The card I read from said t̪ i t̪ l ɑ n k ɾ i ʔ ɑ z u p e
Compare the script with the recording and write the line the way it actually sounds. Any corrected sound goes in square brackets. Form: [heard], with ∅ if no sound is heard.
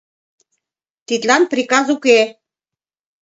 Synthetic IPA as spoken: t̪ i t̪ l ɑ n [p] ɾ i [k] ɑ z u [k] e